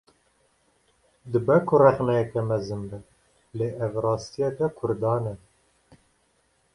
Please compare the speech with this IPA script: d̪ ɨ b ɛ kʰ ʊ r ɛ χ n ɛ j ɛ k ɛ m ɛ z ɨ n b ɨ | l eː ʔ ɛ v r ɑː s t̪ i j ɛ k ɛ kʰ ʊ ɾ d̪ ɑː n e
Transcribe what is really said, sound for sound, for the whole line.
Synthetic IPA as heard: d̪ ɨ b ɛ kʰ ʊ r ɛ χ n ɛ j ɛ k ɛ m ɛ z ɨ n b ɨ | l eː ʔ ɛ v r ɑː s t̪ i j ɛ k ɛ kʰ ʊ ɾ d̪ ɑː n ɛ